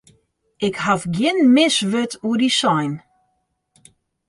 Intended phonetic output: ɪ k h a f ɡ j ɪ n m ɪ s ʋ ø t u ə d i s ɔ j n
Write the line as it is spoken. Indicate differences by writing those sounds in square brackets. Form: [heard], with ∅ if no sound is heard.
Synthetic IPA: ɪ k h a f ɡ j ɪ n m ɪ s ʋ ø t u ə d i s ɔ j n